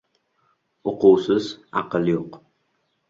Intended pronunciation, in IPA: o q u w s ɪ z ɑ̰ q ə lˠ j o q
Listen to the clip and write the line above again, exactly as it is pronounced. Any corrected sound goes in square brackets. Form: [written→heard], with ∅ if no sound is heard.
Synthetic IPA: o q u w s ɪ z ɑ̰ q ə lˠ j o q